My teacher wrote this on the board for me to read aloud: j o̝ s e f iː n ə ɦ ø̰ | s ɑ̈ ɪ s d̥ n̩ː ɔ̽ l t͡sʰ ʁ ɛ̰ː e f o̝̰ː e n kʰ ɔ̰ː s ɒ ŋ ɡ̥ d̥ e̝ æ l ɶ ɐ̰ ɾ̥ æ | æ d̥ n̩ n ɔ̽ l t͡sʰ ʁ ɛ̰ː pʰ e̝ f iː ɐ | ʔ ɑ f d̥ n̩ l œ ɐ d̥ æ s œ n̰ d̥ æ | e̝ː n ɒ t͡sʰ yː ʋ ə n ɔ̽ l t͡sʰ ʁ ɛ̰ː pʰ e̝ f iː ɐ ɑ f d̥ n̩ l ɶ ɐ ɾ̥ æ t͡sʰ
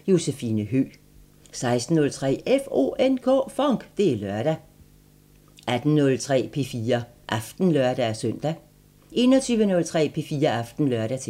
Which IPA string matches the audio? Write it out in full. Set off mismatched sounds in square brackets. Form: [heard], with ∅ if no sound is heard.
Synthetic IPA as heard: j o̝ s e f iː n ə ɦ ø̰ | s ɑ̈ ɪ s d̥ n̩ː ɔ̽ l t͡sʰ ʁ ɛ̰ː e f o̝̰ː e n kʰ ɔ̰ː [f] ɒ ŋ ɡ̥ d̥ e̝ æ l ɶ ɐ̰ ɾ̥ æ | æ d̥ n̩ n ɔ̽ l t͡sʰ ʁ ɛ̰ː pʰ e̝ f iː ɐ | ʔ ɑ f d̥ n̩ l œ ɐ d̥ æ s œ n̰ d̥ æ | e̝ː n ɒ t͡sʰ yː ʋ ə n ɔ̽ l t͡sʰ ʁ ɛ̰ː pʰ e̝ f iː ɐ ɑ f d̥ n̩ l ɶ ɐ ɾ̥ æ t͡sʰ